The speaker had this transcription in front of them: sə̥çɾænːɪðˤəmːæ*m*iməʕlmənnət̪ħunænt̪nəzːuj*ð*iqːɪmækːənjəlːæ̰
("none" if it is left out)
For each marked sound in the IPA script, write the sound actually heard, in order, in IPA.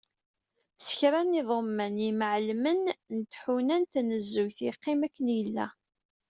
n, θ

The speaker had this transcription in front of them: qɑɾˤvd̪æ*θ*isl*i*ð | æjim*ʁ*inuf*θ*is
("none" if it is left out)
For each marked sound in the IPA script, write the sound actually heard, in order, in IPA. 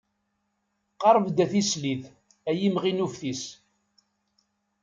θ, i, ʁ, θ

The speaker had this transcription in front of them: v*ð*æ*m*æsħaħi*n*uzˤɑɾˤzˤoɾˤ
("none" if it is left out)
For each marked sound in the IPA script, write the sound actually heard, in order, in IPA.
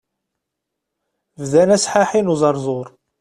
ð, n, n

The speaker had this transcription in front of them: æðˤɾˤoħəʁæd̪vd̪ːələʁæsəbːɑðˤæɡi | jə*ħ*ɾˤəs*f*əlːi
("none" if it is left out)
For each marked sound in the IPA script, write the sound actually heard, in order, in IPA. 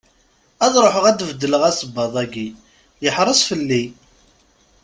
ħ, f

